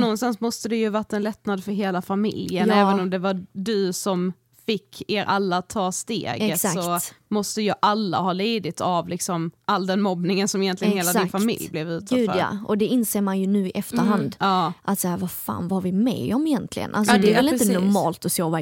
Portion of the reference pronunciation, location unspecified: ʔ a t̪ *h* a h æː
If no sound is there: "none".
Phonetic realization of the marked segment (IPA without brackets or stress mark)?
s